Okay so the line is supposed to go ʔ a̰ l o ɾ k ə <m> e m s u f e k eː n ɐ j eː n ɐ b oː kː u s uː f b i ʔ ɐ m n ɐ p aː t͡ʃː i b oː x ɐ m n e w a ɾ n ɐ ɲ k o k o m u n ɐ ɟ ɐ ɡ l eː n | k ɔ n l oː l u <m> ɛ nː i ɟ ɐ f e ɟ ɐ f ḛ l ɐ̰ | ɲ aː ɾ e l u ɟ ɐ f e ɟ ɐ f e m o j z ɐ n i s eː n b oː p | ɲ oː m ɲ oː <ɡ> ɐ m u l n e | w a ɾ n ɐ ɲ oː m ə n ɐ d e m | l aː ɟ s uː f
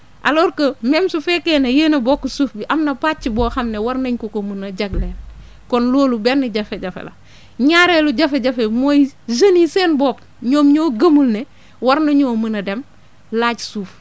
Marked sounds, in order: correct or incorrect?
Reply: correct, incorrect, correct

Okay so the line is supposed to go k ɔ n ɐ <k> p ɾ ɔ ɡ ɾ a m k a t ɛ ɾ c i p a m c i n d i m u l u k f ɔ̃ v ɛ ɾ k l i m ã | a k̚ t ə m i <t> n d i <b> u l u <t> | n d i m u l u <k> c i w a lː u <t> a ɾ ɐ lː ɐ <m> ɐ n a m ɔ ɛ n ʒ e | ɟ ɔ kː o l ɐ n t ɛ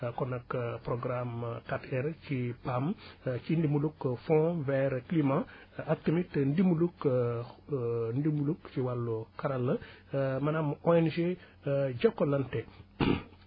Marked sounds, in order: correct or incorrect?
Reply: correct, correct, incorrect, incorrect, correct, incorrect, correct

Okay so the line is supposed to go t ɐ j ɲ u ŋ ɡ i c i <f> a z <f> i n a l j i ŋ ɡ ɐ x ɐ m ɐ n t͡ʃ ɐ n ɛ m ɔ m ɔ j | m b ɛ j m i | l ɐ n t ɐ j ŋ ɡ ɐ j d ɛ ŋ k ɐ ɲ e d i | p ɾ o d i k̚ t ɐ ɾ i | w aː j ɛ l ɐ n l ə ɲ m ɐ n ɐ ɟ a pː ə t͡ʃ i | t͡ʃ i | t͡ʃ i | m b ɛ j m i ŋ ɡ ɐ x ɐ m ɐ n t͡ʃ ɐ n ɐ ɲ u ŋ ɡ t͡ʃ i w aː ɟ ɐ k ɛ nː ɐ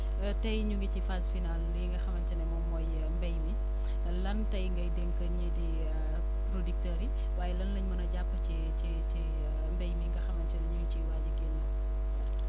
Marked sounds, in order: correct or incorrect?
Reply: correct, correct

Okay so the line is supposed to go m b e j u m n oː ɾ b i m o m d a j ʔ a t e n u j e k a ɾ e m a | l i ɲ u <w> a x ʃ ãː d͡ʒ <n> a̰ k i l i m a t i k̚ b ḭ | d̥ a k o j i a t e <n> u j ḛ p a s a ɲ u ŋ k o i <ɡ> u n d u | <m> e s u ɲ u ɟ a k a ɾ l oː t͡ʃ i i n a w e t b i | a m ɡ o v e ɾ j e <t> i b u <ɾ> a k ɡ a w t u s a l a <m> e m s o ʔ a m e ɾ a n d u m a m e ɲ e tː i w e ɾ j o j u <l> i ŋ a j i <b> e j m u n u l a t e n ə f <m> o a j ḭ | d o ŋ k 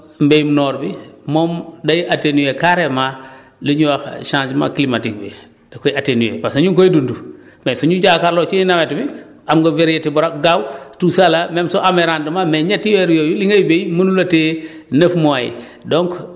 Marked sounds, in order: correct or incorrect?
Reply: correct, incorrect, correct, incorrect, correct, correct, correct, correct, correct, correct, correct

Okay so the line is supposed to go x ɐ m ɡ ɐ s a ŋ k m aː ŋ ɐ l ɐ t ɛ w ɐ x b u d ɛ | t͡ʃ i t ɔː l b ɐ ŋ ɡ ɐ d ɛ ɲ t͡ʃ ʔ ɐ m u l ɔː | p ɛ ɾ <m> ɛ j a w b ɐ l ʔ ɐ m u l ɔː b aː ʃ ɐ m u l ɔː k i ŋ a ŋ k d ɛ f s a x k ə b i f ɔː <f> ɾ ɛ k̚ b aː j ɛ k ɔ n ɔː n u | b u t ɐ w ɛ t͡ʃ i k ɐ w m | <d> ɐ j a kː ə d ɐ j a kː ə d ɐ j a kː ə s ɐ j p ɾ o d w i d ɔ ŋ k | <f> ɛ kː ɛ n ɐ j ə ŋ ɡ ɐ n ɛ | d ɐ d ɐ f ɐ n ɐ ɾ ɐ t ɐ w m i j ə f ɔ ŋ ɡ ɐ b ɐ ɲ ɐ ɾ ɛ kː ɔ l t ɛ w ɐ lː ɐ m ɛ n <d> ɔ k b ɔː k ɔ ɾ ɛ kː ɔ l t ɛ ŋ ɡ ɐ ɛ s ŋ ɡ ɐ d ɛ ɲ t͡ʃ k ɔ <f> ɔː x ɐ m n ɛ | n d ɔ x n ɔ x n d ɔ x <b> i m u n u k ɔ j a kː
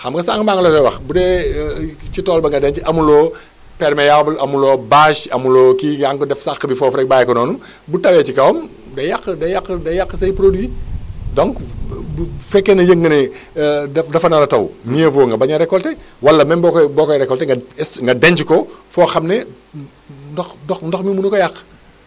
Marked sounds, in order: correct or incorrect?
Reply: correct, correct, correct, correct, incorrect, correct, incorrect

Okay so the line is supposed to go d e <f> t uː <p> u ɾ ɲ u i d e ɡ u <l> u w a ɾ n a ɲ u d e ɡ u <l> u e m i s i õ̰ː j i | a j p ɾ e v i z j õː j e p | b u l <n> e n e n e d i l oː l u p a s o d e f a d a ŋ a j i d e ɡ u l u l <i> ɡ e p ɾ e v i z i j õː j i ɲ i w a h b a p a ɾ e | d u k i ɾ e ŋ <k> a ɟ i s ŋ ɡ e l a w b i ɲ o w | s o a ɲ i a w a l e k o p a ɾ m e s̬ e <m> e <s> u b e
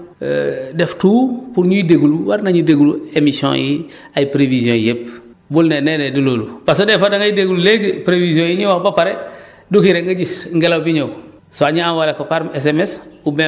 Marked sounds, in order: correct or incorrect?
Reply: correct, correct, correct, correct, correct, incorrect, incorrect, correct, correct

